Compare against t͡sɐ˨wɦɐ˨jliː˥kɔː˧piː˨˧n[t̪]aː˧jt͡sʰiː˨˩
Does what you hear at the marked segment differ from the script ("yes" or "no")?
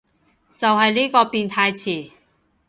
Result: yes